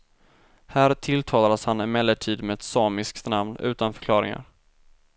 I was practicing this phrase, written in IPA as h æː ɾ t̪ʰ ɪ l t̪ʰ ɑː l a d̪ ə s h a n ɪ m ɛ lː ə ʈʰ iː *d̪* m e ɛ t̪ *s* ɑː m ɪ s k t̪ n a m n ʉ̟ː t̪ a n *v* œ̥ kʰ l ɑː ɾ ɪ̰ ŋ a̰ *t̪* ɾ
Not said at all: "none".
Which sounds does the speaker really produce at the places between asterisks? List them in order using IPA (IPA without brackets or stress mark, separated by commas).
d̪, s, f, none